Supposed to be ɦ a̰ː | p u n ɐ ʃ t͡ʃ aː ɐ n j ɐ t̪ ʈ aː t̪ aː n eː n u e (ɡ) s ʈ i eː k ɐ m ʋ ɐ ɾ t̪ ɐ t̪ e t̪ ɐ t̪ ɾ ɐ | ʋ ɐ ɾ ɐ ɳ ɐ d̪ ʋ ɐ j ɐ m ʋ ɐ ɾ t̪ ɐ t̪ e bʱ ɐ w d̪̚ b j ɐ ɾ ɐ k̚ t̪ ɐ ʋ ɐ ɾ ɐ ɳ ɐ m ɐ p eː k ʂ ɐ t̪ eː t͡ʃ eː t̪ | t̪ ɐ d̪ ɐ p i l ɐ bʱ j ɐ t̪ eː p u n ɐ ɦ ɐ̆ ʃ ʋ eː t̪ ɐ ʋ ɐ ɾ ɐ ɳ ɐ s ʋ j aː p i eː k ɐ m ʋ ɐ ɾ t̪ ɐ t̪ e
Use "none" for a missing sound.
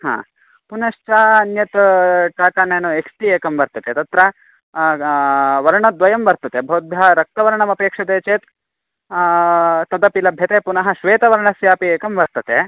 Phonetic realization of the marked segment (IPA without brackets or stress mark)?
k